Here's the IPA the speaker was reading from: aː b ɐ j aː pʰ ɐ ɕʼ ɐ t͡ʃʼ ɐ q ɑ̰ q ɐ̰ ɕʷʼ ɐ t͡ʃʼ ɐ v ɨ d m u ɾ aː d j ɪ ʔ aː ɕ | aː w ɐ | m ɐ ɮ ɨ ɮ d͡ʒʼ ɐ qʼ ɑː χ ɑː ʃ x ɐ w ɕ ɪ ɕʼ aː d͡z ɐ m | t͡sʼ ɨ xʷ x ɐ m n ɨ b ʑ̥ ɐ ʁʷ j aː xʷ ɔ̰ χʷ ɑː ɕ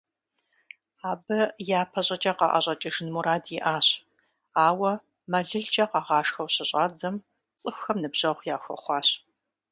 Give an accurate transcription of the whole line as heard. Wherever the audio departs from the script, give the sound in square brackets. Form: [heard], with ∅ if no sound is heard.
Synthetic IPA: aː b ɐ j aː pʰ ɐ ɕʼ ɐ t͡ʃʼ ɐ q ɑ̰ [ʔ] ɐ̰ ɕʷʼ ɐ t͡ʃʼ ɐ [ʒ] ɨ [n] m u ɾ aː d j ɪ ʔ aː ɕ | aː w ɐ | m ɐ ɮ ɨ ɮ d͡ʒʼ ɐ [q] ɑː [ʁ] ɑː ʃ x ɐ w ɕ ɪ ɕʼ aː d͡z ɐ m | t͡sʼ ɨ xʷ x ɐ m n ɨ b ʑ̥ ɐ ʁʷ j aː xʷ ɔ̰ χʷ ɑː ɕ